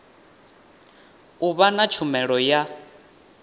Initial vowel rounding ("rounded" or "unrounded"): rounded